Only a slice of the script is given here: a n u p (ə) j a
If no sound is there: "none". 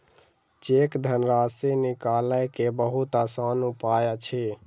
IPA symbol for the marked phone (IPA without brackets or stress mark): a